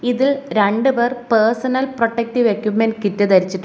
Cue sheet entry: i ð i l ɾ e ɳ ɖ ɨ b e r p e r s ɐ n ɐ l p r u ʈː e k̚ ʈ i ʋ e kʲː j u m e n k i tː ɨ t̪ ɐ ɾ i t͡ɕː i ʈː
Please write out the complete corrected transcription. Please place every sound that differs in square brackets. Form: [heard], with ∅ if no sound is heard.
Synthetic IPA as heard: i ð i l ɾ e ɳ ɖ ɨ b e r p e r s ɐ n ɐ l p r [o] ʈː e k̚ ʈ i ʋ e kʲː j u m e n k i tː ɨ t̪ ɐ ɾ i t͡ɕː i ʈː